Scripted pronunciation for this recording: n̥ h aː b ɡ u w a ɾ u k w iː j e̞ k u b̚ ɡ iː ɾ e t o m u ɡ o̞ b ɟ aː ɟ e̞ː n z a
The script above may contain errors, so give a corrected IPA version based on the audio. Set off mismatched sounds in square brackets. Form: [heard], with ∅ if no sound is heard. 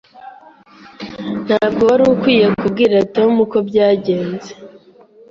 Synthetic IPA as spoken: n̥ h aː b ɡ [o] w a ɾ u k w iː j e̞ k u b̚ ɡ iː ɾ [a] t o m u [k] o̞ b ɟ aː ɟ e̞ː n z [e]